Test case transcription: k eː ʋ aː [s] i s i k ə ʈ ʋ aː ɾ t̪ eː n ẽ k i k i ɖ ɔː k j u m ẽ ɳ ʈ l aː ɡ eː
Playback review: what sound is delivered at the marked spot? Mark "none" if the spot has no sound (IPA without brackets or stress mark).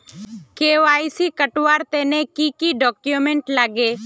none